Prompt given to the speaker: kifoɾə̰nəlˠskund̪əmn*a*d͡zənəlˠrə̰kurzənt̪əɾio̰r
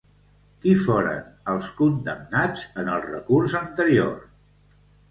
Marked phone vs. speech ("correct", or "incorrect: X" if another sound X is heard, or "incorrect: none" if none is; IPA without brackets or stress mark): correct